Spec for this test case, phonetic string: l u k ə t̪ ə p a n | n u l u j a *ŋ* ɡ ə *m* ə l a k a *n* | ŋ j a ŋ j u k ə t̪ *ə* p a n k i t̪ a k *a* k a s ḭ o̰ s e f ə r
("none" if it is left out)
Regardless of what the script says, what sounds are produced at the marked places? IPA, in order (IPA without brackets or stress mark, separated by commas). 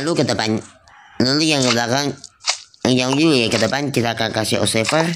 ŋ, b, ŋ, ə, a